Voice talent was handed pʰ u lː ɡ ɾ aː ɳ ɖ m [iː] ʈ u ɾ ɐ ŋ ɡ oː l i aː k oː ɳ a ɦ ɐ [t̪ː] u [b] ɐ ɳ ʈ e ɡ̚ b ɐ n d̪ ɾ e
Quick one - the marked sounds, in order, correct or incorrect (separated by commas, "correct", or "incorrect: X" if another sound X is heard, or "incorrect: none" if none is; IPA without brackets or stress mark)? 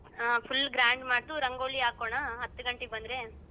incorrect: aː, correct, incorrect: ɡ